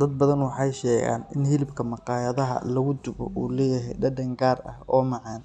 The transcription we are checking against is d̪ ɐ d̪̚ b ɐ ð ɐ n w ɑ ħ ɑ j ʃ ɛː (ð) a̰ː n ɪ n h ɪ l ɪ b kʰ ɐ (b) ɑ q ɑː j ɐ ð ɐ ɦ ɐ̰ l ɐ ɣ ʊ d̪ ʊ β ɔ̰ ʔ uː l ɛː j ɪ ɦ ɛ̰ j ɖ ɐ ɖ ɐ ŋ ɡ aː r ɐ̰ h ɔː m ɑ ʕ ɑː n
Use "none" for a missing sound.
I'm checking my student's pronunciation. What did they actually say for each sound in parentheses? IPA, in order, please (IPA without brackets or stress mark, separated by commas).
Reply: ɣ, m